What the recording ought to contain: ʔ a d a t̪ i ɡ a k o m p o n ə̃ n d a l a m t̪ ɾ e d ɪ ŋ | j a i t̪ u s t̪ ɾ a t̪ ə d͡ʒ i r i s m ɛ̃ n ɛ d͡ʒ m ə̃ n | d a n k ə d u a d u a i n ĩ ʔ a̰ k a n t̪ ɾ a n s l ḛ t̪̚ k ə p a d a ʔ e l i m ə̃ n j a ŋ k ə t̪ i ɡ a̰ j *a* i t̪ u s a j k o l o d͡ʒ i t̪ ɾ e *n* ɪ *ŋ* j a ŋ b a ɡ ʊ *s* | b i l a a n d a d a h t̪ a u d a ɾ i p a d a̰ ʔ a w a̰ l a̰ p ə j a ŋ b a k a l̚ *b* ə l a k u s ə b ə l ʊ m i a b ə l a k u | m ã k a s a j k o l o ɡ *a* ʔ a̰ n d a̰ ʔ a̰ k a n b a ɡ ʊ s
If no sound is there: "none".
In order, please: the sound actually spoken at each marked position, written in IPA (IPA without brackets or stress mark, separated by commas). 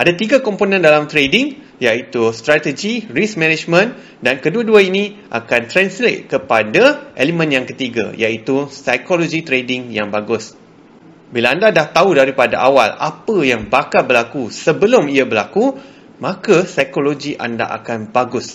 a, d, ŋ, s, b, i